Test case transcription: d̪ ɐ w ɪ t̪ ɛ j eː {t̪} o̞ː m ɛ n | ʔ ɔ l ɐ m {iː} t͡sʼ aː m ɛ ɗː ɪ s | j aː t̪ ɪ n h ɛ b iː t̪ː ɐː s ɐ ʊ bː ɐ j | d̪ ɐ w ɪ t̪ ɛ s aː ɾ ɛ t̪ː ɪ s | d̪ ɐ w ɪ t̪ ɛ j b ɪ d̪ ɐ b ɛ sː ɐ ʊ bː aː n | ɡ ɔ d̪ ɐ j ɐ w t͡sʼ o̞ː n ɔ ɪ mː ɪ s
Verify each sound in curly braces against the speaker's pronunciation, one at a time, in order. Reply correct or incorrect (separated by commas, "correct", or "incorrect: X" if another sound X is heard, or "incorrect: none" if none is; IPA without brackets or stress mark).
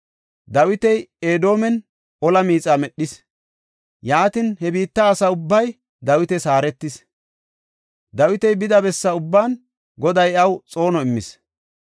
incorrect: d̪, correct